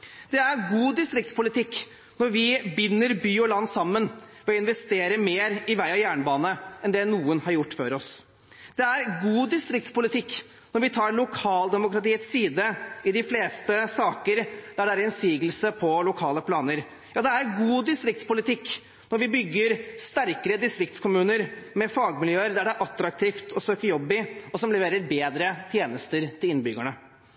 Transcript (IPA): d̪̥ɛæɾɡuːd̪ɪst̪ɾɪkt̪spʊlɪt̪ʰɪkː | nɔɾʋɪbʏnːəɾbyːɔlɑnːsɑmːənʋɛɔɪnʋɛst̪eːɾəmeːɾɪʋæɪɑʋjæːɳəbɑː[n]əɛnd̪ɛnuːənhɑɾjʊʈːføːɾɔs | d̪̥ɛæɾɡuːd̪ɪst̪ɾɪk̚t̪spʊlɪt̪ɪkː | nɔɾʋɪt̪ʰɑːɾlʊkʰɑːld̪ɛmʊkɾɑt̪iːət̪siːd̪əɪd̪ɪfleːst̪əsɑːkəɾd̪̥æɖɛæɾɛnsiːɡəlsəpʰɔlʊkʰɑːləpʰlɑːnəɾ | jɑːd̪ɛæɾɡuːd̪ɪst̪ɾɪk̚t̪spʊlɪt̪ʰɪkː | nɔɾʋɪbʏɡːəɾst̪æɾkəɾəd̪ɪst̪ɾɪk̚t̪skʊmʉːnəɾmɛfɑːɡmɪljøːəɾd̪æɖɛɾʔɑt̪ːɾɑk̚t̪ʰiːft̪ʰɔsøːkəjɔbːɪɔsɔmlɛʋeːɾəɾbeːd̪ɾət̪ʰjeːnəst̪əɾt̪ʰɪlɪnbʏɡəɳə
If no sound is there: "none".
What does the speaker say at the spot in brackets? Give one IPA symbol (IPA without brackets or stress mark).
n